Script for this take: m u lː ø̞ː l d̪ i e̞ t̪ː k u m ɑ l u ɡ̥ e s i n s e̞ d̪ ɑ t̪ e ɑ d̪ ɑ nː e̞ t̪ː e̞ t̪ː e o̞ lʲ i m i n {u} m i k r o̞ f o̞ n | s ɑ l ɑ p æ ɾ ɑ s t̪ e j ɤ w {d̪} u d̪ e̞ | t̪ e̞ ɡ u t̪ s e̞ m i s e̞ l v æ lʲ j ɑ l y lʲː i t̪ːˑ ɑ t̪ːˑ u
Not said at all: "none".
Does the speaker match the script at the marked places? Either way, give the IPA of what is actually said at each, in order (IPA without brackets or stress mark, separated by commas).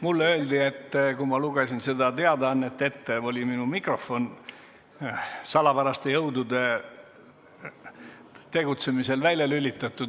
u, d̪